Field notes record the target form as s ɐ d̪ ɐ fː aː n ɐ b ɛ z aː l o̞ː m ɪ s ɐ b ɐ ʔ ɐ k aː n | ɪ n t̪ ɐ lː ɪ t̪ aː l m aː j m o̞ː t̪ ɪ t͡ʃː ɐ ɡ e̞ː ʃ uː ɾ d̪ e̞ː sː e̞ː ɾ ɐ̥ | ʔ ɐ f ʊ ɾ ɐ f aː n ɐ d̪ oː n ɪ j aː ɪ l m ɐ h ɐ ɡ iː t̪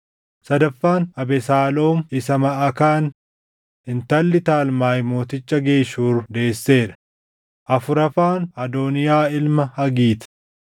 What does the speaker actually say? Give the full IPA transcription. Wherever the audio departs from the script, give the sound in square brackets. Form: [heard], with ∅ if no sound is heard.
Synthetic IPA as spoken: s ɐ d̪ ɐ fː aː n ɐ b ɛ [s] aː l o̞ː m ɪ s ɐ [m] ɐ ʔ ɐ k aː n | ɪ n t̪ ɐ lː ɪ t̪ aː l m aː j m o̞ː t̪ ɪ t͡ʃː ɐ ɡ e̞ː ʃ uː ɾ d̪ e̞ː sː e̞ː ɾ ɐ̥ | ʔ ɐ f ʊ ɾ ɐ f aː n ɐ d̪ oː n ɪ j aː ɪ l m ɐ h ɐ ɡ iː t̪